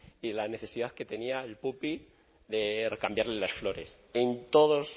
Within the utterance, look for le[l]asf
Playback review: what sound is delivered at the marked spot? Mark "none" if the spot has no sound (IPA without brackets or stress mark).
l